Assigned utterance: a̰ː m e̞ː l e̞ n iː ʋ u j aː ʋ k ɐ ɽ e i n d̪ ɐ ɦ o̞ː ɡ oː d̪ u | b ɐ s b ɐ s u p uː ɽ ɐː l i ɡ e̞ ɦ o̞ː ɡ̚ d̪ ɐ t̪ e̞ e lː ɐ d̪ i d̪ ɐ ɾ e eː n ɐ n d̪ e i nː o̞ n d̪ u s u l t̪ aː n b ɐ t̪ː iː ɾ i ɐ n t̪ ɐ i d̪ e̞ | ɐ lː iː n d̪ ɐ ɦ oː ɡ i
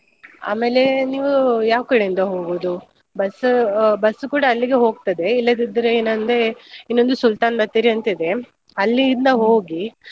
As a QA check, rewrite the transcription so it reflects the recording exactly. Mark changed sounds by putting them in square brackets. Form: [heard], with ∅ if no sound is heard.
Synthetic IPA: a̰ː m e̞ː l e̞ n iː ʋ u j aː ʋ k ɐ ɽ e i n d̪ ɐ ɦ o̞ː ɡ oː d̪ u | b ɐ s b ɐ s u [k] uː ɽ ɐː [lː] i ɡ e̞ ɦ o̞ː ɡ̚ [t̪] ɐ [d̪] e̞ [i] lː ɐ d̪ i d̪ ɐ ɾ e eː n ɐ n d̪ e i nː o̞ n d̪ u s u l t̪ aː n b ɐ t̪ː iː ɾ i ɐ n t̪ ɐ i d̪ e̞ | ɐ lː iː n d̪ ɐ ɦ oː ɡ i